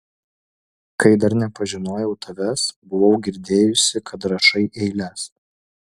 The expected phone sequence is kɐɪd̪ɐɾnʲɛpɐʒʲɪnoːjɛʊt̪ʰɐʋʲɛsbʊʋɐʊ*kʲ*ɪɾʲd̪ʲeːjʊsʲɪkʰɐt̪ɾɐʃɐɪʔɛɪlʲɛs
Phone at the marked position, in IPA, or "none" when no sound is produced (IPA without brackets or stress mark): ɡʲ